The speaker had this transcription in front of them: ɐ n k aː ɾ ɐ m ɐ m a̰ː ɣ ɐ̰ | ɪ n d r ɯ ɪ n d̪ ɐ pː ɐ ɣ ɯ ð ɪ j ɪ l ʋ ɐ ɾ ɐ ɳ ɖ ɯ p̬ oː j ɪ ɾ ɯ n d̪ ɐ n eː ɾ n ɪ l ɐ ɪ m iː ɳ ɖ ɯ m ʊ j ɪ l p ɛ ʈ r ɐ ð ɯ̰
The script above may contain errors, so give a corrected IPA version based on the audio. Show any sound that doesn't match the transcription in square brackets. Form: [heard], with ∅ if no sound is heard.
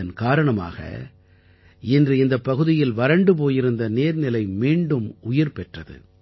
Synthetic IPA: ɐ n k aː ɾ ɐ [ɳ] ɐ m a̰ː ɣ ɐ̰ | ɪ n d r ɯ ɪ n d̪ ɐ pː ɐ ɣ ɯ ð ɪ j ɪ l ʋ ɐ ɾ ɐ ɳ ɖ ɯ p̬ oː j ɪ ɾ ɯ n d̪ ɐ n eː ɾ n ɪ l ɐ ɪ m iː ɳ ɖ ɯ m ʊ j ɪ [ɾ] p ɛ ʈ r ɐ ð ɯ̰

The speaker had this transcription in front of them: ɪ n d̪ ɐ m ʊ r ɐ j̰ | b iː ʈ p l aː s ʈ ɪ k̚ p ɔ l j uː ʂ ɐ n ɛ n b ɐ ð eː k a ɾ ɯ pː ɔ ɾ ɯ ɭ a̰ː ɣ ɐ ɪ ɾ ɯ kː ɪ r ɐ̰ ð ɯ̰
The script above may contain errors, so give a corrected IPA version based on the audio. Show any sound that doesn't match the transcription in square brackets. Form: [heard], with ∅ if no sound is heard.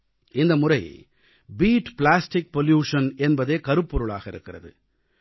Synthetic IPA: ɪ n d̪ ɐ m ʊ r ɐ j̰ | b iː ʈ p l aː s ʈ ɪ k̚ p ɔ l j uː ʂ ɐ n ɛ n b ɐ ð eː k [ɐ] ɾ ɯ pː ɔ ɾ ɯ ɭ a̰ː ɣ ɐ ɪ ɾ ɯ kː ɪ r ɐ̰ ð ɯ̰

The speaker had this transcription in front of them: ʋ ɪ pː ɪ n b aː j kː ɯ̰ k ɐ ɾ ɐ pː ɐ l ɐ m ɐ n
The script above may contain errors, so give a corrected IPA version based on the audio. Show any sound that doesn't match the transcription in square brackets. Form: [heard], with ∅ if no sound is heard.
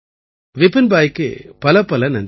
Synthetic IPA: ʋ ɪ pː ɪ n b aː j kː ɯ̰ [p] ɐ [l] ɐ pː ɐ l ɐ [n] ɐ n

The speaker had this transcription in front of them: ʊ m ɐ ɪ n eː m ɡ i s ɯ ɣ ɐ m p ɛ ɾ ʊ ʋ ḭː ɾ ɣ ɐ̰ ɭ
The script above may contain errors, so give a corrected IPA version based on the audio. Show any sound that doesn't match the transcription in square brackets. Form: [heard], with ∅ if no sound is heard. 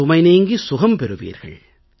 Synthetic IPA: ʊ m ɐ ɪ n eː [ŋ] ɡ i s [ʊ] ɣ ɐ m p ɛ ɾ [ɯ] ʋ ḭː ɾ ɣ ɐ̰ ɭ

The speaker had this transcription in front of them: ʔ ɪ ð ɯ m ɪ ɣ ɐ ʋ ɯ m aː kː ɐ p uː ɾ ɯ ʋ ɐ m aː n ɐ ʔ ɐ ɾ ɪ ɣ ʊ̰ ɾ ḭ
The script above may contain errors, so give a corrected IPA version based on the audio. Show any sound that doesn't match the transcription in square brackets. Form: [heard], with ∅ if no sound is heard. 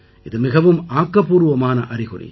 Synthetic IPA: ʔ ɪ ð ɯ m ɪ ɣ ɐ ʋ ɯ m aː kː ɐ p uː ɾ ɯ ʋ ɐ m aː n ɐ ʔ ɐ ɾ ɪ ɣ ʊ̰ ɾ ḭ

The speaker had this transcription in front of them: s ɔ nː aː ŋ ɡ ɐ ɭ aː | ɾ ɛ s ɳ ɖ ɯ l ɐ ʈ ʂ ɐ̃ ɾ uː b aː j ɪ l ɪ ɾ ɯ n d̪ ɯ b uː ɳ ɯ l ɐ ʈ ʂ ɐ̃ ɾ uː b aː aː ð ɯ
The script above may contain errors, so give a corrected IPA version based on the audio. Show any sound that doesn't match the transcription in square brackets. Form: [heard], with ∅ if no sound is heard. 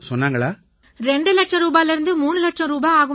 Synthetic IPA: s ɔ nː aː ŋ ɡ ɐ ɭ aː | ɾ ɛ [∅] ɳ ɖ ɯ l ɐ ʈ ʂ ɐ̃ ɾ uː b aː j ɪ l ɪ ɾ ɯ n d̪ ɯ [m] uː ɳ ɯ l ɐ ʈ ʂ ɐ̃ ɾ uː b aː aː [ɣ] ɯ

